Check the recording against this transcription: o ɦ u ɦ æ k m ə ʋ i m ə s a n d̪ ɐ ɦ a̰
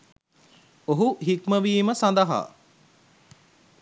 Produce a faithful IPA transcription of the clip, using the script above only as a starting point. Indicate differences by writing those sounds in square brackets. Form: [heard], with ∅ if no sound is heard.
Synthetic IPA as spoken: o ɦ u ɦ [i] k m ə ʋ [iː] m ə s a n d̪ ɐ ɦ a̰